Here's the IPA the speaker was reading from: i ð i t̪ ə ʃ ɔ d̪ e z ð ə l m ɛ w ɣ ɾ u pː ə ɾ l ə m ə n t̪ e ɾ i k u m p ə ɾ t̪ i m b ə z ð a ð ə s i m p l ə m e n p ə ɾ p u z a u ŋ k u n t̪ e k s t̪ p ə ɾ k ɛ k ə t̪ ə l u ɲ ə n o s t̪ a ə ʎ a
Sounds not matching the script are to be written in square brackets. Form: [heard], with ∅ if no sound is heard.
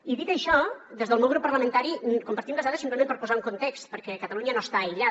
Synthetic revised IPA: i ð i t̪ ə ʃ ɔ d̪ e z ð ə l m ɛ w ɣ ɾ u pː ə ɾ l ə m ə n t̪ [a] ɾ i k u m p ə ɾ t̪ i m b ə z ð a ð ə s i m p l ə m e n p ə ɾ p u z a u ŋ k u n t̪ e k s t̪ p ə ɾ k ɛ k ə t̪ ə l u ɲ ə n o s t̪ a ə ʎ a